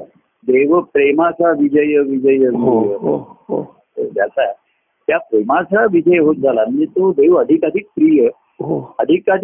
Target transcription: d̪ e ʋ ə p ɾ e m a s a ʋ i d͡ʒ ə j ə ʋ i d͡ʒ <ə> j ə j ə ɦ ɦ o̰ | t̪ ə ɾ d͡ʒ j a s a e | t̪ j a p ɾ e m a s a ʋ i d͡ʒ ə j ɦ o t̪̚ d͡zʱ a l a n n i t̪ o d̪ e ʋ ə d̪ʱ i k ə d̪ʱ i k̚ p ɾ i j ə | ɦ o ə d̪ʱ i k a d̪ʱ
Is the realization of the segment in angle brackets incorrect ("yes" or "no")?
no